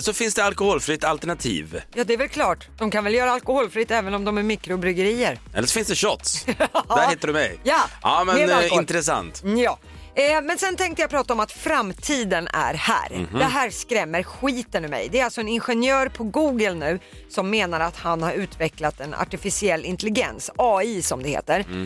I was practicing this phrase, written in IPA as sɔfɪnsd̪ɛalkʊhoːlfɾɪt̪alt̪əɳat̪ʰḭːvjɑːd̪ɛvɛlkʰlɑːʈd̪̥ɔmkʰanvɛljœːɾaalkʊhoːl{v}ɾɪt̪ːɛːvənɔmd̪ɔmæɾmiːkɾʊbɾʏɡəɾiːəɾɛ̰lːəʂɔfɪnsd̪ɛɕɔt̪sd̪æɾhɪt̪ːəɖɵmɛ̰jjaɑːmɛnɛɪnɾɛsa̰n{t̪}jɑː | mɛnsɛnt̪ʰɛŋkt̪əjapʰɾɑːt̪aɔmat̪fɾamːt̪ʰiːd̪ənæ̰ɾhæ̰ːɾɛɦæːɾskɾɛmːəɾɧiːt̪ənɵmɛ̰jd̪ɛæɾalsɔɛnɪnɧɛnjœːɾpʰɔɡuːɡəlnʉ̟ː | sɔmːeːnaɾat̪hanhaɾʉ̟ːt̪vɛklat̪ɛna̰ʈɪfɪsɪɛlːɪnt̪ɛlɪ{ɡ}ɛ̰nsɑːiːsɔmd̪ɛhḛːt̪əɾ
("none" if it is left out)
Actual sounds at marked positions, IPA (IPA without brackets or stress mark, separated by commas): f, t̪, ɡ